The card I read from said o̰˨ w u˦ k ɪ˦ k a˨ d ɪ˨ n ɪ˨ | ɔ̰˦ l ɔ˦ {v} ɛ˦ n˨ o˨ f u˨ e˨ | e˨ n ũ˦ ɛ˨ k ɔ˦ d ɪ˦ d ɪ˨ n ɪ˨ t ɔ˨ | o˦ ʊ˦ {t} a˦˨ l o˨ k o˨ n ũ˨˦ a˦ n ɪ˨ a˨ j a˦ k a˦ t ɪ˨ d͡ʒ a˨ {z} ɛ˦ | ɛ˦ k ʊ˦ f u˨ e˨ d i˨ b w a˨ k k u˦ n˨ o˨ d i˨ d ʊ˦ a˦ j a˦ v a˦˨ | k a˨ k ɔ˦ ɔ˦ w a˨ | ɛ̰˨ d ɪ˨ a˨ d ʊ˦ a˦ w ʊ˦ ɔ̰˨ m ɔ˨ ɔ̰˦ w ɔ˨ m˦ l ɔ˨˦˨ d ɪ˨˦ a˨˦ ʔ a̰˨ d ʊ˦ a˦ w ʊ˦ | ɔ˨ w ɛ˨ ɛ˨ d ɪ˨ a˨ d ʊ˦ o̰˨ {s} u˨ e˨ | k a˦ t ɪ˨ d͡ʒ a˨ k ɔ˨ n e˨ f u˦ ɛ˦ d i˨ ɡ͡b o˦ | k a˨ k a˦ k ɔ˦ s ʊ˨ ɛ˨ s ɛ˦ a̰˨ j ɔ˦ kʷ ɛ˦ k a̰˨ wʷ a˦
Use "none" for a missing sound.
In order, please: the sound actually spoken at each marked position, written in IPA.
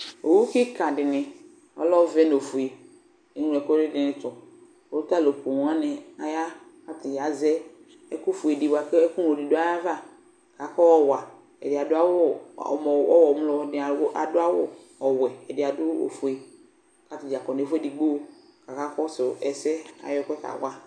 v, t, z, f

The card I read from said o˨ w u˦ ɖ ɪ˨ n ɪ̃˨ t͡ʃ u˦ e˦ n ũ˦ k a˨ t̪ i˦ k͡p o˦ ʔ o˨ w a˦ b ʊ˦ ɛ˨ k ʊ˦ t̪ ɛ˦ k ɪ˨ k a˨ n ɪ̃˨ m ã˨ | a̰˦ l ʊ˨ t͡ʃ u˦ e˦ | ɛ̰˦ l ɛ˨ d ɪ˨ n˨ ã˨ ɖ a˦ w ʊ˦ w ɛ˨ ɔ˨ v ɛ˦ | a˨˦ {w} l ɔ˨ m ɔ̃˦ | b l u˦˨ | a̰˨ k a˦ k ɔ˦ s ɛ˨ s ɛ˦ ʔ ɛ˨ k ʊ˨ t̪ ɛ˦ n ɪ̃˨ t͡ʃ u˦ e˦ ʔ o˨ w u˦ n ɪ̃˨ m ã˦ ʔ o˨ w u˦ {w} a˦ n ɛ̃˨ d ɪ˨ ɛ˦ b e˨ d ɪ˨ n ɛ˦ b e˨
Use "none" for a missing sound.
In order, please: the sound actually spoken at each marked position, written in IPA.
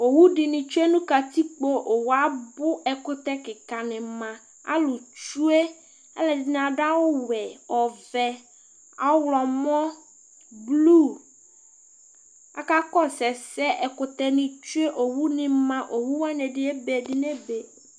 w, w

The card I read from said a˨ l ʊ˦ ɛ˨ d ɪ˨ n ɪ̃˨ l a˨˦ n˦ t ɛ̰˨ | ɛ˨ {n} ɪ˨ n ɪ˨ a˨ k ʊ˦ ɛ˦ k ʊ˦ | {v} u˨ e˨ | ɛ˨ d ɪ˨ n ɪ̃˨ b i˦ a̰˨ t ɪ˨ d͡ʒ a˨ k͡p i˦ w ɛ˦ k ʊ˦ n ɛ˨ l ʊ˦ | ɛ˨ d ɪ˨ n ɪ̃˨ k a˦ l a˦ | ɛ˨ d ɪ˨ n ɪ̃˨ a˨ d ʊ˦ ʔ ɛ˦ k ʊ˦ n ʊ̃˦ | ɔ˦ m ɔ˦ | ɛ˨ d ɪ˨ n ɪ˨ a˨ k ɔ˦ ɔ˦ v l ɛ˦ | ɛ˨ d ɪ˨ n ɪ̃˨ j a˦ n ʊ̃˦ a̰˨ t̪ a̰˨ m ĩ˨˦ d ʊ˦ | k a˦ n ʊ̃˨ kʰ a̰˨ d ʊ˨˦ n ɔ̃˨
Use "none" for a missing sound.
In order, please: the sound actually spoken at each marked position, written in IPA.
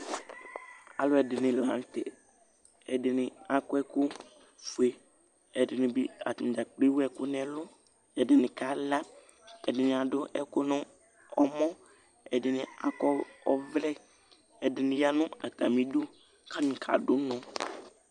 d, f

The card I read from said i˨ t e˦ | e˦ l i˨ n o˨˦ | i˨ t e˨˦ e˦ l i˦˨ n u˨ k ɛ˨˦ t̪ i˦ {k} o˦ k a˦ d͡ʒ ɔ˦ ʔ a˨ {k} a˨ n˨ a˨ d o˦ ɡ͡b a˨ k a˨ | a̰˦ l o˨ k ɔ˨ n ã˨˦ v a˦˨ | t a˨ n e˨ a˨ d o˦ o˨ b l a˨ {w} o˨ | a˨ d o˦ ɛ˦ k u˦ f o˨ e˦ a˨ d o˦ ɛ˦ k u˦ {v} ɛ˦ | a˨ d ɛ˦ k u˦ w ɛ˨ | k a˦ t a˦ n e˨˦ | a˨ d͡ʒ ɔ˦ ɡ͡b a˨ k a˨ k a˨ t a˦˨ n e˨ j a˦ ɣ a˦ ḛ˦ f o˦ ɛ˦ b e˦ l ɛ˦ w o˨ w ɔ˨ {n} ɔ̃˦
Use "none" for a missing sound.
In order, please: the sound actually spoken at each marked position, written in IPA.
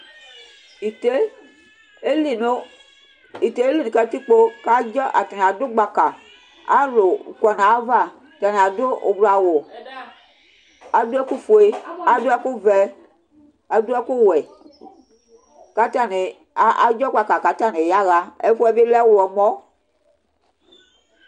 k͡p, t, w, v, m

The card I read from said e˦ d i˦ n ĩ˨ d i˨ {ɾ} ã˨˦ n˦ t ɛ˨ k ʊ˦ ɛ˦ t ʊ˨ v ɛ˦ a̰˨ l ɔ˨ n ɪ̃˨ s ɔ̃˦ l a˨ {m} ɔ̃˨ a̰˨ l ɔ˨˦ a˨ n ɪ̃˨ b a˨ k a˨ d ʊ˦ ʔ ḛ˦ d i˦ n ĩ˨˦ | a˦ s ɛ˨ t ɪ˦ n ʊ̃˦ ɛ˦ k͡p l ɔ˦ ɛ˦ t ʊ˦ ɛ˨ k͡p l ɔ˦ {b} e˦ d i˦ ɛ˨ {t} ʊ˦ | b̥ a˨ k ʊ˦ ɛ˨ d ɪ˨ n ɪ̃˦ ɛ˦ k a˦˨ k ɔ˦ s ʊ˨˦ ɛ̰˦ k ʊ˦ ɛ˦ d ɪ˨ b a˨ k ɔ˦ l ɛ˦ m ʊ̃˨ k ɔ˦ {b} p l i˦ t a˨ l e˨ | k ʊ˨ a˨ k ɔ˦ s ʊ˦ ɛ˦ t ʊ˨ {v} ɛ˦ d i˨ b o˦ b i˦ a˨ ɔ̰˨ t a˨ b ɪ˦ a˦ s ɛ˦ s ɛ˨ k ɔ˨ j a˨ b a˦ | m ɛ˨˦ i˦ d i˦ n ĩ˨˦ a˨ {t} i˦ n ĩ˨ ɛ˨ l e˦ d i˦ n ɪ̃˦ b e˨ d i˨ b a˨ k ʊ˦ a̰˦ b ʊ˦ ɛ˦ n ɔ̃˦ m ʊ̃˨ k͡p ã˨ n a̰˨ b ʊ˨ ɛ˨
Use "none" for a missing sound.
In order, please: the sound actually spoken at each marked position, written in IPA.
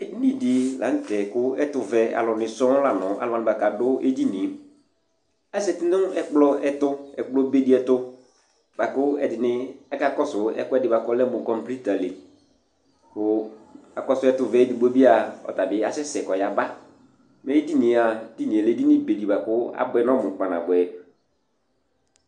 l, n, b, t, m, v, d

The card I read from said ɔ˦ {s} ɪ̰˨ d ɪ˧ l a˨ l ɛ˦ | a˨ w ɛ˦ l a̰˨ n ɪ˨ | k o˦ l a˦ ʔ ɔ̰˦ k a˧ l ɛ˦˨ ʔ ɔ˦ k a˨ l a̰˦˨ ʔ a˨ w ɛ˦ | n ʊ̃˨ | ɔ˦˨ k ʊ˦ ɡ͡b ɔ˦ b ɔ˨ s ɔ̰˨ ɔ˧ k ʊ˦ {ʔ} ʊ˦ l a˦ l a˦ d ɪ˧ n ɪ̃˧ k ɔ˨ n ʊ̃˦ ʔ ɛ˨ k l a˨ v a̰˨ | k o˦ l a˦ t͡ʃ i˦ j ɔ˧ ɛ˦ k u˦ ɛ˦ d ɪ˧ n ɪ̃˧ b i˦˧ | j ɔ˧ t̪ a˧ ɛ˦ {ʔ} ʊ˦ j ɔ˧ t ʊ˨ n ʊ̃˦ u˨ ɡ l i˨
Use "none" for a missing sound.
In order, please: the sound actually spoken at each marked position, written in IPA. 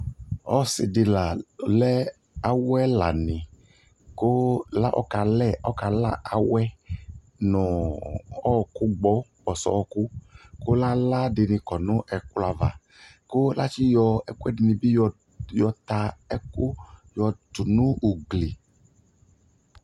s, k, k

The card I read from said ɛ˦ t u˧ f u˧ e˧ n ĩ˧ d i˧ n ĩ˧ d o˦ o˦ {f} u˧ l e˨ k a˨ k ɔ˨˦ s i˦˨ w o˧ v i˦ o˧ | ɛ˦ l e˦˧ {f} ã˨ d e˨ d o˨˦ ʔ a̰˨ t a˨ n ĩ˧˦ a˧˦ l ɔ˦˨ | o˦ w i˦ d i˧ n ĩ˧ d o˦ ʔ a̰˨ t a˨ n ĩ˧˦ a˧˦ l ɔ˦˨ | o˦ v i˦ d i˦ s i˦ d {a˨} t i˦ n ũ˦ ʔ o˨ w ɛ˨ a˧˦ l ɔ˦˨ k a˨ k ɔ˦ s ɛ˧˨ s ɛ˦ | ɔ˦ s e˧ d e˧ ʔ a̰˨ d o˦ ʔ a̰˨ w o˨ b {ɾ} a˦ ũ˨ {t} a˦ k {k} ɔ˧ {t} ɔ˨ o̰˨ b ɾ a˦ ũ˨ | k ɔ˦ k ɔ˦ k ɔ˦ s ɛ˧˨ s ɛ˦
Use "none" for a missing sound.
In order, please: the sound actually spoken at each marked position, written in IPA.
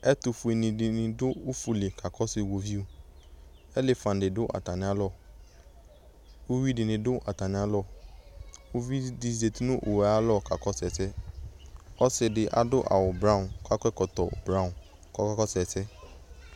f, f, e˨, ɾ, k, k, t

